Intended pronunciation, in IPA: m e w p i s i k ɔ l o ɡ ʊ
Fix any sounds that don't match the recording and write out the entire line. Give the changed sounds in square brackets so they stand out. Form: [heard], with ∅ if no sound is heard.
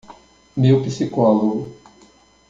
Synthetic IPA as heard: m e w p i s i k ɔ l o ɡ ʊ

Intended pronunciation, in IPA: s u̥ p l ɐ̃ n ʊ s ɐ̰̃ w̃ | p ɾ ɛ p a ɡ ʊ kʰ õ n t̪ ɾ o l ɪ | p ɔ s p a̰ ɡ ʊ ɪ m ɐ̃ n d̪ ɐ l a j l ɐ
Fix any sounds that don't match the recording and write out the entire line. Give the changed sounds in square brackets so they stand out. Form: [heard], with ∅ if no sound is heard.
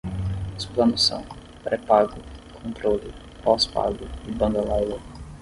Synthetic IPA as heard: s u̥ p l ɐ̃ n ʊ s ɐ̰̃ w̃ | p ɾ ɛ p a ɡ ʊ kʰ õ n t̪ ɾ o l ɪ | p ɔ s p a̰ ɡ ʊ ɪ [b] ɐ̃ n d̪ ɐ l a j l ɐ

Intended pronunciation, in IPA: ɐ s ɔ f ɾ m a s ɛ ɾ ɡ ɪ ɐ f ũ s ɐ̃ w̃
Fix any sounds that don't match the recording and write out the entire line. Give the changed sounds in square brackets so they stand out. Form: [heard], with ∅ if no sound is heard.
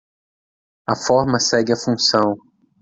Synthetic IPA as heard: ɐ [f] ɔ [∅] ɾ m [ɐ] s ɛ [∅] ɡ ɪ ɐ f ũ s ɐ̃ w̃

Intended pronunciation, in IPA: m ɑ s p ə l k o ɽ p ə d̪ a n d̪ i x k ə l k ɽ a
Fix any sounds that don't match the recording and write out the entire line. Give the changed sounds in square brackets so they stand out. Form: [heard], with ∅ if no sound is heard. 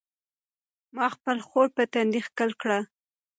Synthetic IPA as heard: m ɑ [x] p ə l [x] o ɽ p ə [t̪] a n d̪ i x k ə l k ɽ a

